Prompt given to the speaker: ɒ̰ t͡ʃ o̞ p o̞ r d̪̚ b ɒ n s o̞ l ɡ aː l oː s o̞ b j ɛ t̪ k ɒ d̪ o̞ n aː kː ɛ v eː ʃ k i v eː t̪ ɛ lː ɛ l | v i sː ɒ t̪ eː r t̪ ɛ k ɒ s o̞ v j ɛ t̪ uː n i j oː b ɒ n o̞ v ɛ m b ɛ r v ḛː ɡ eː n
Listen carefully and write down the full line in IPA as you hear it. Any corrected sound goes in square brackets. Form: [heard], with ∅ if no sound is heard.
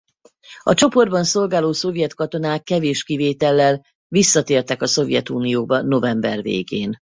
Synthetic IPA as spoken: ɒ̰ t͡ʃ o̞ p o̞ r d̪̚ b ɒ n s o̞ l ɡ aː l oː s o̞ [v] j ɛ t̪ k ɒ [t̪] o̞ n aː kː ɛ v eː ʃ k i v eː t̪ ɛ lː ɛ l | v i sː ɒ t̪ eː r t̪ ɛ k ɒ s o̞ v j ɛ t̪ uː n i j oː b ɒ n o̞ v ɛ m b ɛ r v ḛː ɡ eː n